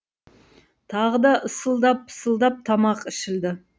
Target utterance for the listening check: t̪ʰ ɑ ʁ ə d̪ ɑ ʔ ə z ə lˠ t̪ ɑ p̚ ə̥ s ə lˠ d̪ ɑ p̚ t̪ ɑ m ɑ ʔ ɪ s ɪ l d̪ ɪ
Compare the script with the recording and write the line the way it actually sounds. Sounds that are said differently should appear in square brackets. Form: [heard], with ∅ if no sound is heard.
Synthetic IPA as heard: t̪ʰ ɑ ʁ ə d̪ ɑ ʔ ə [s] ə lˠ [d̪] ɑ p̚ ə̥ s ə lˠ d̪ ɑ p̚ [t̪ʰ] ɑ m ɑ [q] ɪ [ʃ] ɪ l d̪ ɪ